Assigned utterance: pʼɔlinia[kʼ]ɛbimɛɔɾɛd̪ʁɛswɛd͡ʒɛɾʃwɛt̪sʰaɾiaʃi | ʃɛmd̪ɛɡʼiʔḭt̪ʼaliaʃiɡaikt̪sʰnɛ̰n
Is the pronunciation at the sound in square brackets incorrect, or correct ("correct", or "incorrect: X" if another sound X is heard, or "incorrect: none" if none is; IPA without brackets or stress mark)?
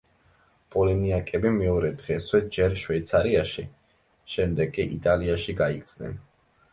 correct